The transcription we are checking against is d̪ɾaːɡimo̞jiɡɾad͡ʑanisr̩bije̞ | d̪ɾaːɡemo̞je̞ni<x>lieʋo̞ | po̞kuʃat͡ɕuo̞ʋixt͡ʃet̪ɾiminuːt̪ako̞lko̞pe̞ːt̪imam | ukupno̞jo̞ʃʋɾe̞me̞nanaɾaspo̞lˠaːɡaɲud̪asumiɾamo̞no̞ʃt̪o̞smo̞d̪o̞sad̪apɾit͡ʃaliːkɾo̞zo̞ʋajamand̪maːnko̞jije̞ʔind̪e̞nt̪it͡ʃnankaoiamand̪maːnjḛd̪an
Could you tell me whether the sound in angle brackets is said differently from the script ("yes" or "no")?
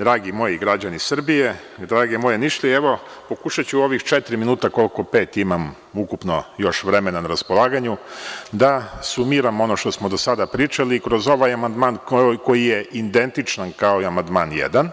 yes